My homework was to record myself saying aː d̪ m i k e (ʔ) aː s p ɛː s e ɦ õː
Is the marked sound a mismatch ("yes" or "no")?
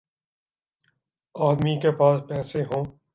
yes